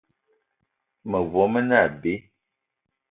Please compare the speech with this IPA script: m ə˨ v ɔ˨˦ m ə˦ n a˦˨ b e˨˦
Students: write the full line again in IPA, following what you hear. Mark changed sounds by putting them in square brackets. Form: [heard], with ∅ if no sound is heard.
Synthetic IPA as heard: m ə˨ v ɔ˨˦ m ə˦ n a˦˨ b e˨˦